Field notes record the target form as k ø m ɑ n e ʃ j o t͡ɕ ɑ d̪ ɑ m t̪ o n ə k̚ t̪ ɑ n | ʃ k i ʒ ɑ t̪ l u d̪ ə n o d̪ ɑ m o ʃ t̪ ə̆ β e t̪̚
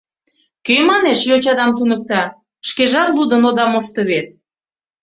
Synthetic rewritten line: k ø m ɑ n e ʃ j o t͡ɕ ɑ d̪ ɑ m t̪ u n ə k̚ t̪ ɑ | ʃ k e ʒ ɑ t̪ l u d̪ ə n o d̪ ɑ m o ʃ t̪ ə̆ β e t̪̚